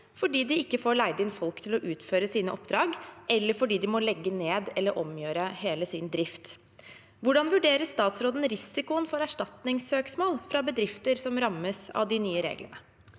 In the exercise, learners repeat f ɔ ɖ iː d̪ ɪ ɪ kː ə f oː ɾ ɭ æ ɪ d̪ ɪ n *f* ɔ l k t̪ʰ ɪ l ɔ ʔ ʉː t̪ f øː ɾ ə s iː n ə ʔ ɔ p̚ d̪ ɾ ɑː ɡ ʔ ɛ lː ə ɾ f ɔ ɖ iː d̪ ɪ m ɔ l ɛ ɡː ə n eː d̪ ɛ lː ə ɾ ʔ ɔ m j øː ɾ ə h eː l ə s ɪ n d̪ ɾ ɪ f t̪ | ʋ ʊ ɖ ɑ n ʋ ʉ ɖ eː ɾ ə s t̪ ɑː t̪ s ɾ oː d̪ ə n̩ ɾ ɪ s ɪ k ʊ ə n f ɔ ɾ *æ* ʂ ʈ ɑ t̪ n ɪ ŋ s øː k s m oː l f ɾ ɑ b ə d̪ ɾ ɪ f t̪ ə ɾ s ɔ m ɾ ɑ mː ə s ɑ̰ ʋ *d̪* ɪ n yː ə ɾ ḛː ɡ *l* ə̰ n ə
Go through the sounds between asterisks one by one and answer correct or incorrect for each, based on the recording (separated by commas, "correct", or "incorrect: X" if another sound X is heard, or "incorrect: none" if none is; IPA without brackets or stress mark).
correct, correct, correct, correct